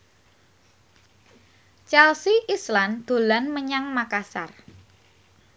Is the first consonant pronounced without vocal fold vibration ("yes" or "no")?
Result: yes